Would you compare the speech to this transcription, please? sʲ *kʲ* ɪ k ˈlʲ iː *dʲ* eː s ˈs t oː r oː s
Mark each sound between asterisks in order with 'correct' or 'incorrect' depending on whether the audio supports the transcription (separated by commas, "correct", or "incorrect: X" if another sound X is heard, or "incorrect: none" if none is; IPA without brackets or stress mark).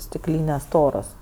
incorrect: tʲ, incorrect: nʲ